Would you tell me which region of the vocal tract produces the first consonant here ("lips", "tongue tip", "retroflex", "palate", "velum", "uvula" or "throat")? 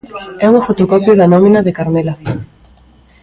velum